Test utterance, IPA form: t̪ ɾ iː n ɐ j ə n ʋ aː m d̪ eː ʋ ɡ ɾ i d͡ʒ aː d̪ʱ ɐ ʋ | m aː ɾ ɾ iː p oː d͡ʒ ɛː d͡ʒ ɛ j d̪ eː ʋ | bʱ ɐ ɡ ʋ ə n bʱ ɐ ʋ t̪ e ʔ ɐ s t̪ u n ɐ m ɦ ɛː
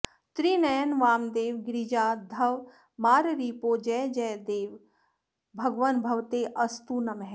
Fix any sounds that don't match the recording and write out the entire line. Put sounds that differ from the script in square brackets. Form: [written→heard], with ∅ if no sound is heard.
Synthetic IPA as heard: t̪ ɾ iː n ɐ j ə n ʋ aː m d̪ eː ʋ ɡ ɾ i d͡ʒ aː d̪ʱ ɐ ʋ | m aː ɾ ɾ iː p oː d͡ʒ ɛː d͡ʒ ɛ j d̪ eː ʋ | bʱ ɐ ɡ ʋ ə n bʱ ɐ ʋ t̪ e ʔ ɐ s t̪ u n ɐ m ɦ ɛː